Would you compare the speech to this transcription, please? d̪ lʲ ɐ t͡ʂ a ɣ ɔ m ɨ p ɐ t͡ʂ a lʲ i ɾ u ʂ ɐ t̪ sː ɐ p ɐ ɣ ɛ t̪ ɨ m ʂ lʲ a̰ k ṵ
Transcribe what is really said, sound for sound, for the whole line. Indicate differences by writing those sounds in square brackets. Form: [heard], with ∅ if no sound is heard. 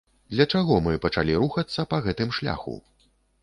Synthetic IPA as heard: d̪ lʲ ɐ t͡ʂ a ɣ ɔ m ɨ p ɐ t͡ʂ a lʲ i ɾ u [x] ɐ t̪ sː ɐ p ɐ ɣ ɛ t̪ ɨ m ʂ lʲ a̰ [x] ṵ